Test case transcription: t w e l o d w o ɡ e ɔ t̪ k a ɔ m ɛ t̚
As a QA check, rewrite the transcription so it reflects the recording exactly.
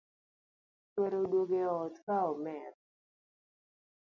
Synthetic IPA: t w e ɾ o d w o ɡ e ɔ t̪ k a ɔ m ɛ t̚